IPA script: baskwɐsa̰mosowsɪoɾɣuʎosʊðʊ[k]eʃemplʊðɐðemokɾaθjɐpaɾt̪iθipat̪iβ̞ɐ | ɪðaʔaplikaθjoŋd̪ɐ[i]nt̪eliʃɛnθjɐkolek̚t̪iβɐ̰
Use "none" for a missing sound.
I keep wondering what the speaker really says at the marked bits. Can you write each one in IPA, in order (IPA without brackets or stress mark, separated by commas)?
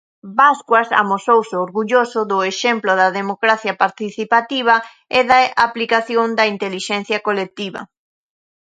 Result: none, i